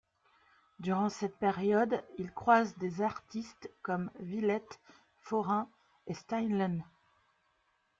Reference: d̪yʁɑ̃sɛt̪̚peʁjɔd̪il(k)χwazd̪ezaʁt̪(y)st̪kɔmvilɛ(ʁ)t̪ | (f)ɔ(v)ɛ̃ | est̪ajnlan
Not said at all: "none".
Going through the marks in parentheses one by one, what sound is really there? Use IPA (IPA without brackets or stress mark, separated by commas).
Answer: k, i, none, f, ʁ